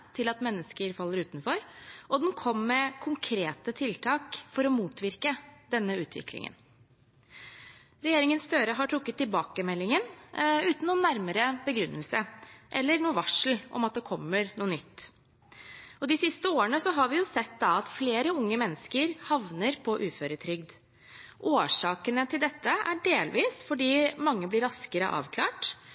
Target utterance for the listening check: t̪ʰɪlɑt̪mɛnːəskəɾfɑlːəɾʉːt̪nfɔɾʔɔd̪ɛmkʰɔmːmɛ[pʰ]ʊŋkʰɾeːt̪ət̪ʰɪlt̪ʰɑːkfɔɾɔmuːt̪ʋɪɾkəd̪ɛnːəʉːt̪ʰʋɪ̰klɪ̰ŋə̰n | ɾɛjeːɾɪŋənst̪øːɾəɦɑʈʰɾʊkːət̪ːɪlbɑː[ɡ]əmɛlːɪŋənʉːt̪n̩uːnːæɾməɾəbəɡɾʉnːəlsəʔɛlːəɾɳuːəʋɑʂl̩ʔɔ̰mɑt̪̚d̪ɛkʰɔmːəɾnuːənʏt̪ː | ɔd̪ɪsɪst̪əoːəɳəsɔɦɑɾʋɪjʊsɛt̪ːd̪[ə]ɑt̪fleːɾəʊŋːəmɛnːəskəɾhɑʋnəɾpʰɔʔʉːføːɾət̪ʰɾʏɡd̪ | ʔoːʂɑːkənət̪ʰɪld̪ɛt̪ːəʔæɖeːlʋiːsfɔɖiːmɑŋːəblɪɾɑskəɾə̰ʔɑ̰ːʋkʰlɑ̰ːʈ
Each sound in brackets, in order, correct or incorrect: incorrect, incorrect, incorrect

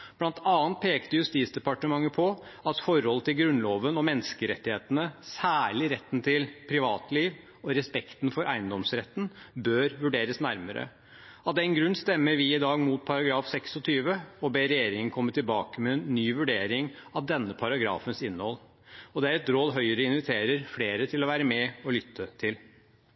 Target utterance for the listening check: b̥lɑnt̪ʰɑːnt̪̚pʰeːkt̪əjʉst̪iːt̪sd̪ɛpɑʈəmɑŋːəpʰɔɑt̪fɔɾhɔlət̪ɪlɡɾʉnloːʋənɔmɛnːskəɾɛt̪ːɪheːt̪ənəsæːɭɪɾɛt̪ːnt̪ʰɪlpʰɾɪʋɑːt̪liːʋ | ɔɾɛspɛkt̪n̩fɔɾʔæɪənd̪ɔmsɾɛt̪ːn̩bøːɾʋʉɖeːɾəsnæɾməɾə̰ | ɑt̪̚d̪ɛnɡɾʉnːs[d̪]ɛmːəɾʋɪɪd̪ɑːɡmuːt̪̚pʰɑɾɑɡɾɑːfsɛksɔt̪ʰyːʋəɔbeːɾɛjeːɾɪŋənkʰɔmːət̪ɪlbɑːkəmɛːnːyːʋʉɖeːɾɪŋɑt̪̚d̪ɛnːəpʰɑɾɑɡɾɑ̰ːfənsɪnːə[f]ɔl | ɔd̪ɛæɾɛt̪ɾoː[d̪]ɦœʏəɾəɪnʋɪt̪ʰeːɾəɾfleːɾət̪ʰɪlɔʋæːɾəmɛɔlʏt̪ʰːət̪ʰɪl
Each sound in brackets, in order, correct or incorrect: incorrect, incorrect, correct

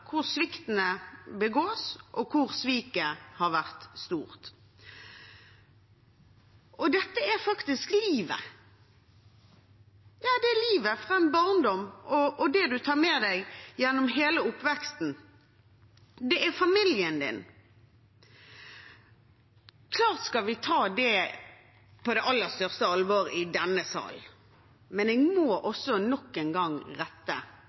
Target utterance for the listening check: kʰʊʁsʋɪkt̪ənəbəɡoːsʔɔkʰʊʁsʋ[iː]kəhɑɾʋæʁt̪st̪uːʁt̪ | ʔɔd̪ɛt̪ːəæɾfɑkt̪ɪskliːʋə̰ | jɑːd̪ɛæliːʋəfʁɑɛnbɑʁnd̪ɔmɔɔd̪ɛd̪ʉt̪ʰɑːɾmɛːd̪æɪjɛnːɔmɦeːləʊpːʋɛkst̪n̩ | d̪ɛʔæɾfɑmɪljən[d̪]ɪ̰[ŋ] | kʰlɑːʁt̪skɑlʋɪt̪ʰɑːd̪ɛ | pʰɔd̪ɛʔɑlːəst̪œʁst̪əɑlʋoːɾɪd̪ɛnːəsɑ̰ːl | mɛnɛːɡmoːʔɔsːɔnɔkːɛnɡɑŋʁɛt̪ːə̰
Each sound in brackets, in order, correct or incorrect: correct, correct, incorrect

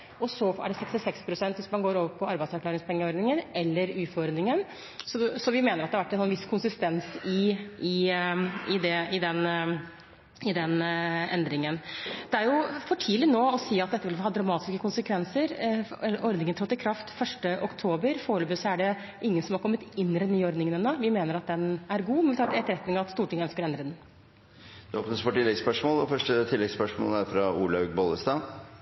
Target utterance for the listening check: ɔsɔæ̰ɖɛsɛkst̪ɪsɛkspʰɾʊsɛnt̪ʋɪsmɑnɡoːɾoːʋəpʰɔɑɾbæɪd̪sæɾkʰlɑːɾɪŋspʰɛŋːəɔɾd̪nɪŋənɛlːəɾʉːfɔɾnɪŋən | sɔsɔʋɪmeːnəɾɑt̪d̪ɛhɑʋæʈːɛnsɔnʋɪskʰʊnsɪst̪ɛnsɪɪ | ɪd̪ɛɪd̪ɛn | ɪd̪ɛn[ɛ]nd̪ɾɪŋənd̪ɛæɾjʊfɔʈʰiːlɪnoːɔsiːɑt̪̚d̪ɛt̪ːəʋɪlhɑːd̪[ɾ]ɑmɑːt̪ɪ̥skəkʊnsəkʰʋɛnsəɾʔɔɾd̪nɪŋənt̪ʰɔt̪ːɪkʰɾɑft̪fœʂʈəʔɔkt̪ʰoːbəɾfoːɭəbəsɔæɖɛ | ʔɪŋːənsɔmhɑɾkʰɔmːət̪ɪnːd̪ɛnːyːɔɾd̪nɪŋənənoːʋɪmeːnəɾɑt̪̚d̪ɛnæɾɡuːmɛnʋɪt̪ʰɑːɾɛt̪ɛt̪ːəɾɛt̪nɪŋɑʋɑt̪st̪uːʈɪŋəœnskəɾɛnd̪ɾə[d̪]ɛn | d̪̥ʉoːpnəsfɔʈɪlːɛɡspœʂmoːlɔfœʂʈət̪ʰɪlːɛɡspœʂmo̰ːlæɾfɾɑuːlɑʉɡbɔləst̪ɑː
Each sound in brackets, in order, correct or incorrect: correct, correct, correct

